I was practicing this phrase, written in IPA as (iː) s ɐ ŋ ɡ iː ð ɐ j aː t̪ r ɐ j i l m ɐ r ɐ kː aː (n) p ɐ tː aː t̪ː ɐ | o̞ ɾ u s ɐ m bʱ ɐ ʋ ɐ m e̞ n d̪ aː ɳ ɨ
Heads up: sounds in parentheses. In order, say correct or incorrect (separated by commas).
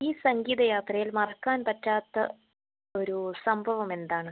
correct, correct